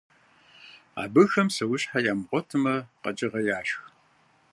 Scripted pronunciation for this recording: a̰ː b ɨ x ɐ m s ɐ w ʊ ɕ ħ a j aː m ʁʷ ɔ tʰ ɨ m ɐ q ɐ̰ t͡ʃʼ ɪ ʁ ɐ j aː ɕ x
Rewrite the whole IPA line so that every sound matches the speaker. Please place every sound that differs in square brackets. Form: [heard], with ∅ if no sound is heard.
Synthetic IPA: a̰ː b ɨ x ɐ m s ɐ w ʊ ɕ ħ a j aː m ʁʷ ɔ tʰ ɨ m ɐ q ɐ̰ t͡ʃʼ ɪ ʁ ɐ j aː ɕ x